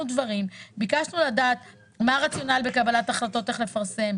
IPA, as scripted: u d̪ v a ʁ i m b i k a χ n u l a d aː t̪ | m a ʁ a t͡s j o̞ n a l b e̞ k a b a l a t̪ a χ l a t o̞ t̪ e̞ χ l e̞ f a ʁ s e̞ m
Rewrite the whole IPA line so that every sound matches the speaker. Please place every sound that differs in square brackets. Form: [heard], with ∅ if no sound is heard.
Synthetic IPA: u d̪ v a ʁ i m b i k a [ʃ] n u l a d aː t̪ | m a ʁ a t͡s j o̞ n a l b e̞ k a b a l a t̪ a χ l a t o̞ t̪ e̞ χ l e̞ f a ʁ s e̞ m